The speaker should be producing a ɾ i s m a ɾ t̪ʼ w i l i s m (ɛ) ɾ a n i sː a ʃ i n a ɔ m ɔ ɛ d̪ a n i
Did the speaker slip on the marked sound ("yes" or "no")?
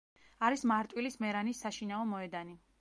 no